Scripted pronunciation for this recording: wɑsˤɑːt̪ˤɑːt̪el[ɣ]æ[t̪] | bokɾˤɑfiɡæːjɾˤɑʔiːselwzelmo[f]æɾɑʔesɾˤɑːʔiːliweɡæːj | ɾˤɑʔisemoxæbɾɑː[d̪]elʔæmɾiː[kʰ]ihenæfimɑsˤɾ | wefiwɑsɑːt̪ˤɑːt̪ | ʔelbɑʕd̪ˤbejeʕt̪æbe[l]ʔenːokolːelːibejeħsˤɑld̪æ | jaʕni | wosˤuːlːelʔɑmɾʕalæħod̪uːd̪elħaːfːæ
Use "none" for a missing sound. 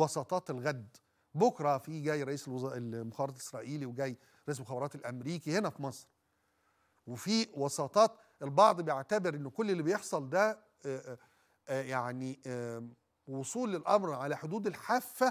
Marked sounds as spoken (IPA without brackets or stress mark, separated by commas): ɣ, d̪, x, t̪, k, ɾ